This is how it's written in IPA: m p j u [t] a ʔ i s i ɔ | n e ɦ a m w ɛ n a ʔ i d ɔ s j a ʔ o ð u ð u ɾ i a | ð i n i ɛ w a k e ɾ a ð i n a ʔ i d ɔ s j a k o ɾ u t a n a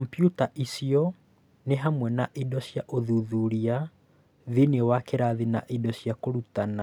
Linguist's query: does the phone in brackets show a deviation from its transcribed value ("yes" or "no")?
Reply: no